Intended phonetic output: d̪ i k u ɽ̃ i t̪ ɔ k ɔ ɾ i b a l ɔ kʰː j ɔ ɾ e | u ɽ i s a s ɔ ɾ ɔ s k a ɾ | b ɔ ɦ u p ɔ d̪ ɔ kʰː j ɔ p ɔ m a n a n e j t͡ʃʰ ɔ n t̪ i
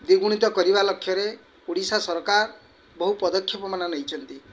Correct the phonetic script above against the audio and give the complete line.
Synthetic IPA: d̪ i ɡ u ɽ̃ i t̪ ɔ k ɔ ɾ i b a l ɔ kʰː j ɔ ɾ e | u ɽ i s a s ɔ ɾ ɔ k a ɾ | b ɔ ɦ u p ɔ d̪ ɔ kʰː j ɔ p ɔ m a n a n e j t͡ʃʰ ɔ n t̪ i

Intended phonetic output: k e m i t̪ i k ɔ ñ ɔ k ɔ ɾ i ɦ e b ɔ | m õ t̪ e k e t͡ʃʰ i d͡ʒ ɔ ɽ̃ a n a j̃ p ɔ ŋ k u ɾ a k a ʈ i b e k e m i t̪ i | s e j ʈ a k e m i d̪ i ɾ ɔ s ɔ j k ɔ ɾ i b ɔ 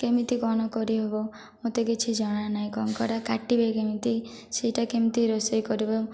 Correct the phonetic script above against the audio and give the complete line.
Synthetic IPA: k e m i t̪ i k ɔ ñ ɔ k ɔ ɾ i ɦ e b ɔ | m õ t̪ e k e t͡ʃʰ i d͡ʒ ɔ ɽ̃ a n a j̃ k ɔ ŋ k ɔ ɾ a k a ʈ i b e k e m i t̪ i | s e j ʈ a k e m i t̪ i ɾ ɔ s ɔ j k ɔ ɾ i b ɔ

